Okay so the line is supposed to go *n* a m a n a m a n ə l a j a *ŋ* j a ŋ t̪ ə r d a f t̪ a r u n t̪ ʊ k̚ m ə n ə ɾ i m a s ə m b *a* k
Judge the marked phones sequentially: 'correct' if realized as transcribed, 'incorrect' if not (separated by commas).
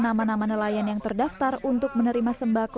correct, incorrect, correct